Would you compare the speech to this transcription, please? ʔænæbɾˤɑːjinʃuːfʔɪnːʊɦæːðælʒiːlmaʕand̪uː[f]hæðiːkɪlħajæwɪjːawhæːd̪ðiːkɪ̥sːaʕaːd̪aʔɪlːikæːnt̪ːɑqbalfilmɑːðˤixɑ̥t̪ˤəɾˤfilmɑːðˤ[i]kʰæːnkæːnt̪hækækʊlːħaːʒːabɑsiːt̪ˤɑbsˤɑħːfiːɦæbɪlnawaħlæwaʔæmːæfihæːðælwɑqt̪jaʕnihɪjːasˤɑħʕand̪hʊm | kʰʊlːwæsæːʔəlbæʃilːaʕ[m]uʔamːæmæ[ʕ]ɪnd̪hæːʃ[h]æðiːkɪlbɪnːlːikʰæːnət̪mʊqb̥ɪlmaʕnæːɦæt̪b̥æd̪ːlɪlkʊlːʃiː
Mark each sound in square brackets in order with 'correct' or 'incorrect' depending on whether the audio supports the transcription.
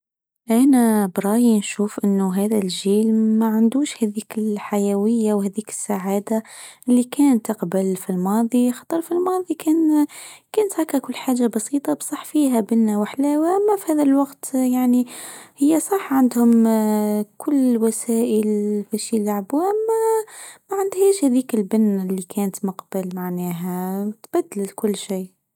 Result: incorrect: ʃ, correct, incorrect: b, correct, correct

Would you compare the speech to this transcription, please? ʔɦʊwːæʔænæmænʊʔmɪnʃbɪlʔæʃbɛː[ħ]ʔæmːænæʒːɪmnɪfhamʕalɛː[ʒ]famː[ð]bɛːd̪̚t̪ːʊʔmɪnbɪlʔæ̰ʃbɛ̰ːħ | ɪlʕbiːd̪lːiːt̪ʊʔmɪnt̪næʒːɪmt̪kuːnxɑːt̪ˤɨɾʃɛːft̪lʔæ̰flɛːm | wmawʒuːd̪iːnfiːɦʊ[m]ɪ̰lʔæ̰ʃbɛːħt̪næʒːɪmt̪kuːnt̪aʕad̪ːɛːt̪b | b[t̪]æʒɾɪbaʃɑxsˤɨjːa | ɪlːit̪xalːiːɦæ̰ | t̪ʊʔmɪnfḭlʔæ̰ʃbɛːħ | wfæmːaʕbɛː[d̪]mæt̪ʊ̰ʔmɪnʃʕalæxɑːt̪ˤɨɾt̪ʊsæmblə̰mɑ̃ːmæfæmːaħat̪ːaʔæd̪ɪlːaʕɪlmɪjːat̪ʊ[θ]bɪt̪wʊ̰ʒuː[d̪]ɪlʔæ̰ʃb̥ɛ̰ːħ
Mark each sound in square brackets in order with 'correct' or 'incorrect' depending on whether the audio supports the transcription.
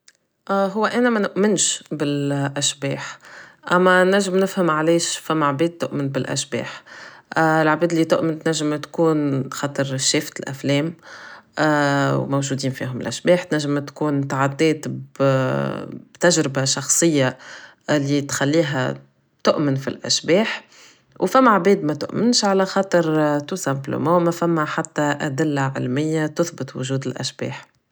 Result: correct, incorrect: ʃ, incorrect: ʕ, correct, correct, correct, correct, correct

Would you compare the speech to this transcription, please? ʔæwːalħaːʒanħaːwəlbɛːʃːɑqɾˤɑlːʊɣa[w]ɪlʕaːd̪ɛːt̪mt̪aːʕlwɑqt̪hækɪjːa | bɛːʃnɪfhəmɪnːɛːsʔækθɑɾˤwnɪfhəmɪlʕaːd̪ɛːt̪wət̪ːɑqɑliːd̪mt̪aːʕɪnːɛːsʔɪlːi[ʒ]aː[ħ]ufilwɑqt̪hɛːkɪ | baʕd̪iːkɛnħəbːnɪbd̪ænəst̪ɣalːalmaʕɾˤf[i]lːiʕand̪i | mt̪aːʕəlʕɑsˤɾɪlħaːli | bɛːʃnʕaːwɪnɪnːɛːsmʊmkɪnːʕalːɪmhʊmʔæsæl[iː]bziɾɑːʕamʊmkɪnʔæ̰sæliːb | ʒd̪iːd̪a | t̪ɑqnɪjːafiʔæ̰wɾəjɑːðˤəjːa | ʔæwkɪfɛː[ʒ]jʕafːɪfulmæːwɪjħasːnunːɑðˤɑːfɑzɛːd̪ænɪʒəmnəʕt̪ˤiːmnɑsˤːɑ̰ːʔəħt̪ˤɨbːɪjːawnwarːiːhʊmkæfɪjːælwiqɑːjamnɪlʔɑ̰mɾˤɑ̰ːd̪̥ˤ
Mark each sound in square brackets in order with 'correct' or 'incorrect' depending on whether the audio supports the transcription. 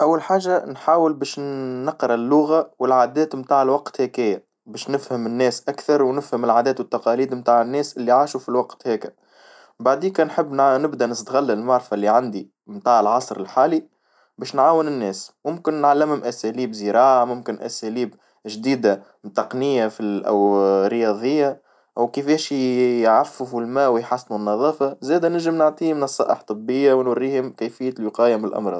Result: correct, incorrect: ʕ, incorrect: ʃ, incorrect: a, correct, incorrect: ʃ

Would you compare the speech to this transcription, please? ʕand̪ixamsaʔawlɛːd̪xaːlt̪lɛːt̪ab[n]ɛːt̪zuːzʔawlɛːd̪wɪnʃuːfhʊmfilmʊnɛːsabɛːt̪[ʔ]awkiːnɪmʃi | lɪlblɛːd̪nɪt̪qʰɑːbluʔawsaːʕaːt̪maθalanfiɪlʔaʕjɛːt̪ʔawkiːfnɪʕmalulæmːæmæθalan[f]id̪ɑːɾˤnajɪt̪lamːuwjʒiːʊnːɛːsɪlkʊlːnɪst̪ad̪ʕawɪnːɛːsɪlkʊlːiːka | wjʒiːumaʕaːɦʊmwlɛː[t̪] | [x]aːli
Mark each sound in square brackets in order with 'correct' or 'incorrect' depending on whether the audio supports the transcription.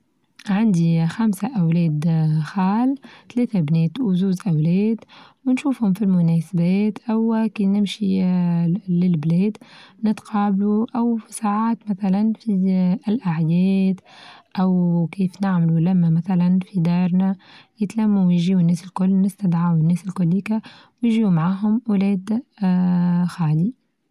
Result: correct, correct, correct, incorrect: d̪, correct

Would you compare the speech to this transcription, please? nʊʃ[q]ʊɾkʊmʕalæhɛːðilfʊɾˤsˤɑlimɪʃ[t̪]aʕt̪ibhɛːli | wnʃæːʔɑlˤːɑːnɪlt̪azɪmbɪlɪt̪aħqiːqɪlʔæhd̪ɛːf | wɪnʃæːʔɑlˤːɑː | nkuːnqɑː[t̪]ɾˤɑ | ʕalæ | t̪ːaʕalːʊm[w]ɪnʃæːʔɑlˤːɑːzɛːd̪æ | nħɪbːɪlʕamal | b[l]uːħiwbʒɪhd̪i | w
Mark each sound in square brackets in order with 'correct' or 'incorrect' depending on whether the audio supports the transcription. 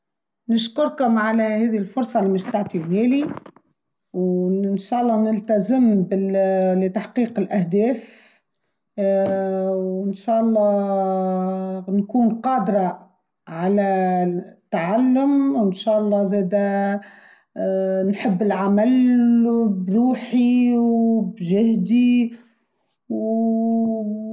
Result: incorrect: k, correct, incorrect: d̪, correct, incorrect: ɾ

